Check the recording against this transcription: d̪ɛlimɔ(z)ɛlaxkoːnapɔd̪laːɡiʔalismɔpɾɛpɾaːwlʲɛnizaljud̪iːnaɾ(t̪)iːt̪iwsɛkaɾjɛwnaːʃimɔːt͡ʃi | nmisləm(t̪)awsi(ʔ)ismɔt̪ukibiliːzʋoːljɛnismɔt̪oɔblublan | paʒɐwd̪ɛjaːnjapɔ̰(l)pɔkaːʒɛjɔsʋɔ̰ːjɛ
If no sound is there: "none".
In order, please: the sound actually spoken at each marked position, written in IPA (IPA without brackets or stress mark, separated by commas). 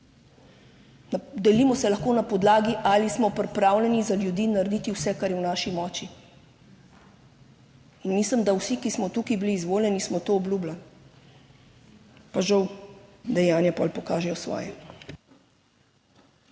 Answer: s, d̪, d̪, k, l